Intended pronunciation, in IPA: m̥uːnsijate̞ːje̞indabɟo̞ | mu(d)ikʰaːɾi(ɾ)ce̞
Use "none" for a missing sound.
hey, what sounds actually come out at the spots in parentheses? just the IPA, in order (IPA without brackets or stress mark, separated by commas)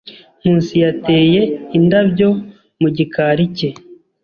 ɟ, none